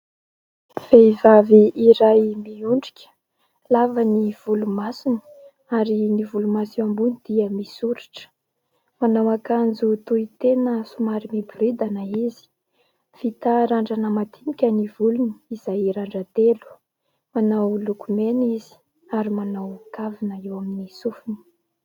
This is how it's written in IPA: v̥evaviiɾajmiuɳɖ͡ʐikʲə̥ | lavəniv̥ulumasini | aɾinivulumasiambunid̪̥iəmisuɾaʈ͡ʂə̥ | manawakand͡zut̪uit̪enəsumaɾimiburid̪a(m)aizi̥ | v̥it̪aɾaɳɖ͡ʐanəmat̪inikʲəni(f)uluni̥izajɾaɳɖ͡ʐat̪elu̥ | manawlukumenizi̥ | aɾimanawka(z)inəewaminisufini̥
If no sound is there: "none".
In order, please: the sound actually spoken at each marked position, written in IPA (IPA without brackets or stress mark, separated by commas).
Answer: n, v, v